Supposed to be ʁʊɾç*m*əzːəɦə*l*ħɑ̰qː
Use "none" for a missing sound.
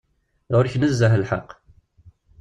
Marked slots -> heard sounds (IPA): n, l

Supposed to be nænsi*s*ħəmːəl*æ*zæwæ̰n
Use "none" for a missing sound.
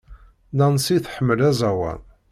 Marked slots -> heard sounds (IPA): θ, æ

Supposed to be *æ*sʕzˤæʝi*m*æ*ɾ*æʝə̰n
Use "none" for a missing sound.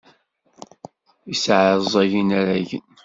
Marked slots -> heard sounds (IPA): i, n, ɾ

